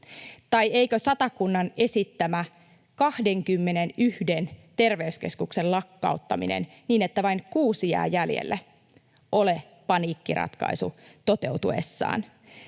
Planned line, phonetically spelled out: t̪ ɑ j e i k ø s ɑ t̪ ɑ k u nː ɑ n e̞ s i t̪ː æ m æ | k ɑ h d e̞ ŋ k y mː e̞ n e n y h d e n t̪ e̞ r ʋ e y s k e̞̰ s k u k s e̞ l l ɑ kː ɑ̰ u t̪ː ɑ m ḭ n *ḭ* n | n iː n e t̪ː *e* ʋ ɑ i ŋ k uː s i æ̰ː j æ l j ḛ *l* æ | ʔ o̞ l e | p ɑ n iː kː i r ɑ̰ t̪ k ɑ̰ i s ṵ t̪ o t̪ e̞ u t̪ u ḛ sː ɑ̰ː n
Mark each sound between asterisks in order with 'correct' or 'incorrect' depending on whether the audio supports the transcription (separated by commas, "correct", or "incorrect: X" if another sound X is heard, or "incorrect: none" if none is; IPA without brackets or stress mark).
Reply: incorrect: ḛ, incorrect: æ, incorrect: lː